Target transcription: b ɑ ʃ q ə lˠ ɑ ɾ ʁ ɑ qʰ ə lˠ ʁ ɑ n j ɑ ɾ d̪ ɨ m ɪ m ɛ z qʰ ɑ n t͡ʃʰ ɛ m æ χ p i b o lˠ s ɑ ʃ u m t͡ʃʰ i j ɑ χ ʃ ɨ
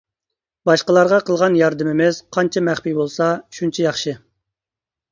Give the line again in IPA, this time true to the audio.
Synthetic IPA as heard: b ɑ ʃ q ə lˠ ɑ ɾ ʁ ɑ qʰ ə lˠ ʁ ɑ n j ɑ ɾ d̪ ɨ m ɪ m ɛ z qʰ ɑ n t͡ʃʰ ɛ m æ χ p i b o lˠ s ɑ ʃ u n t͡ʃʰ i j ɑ χ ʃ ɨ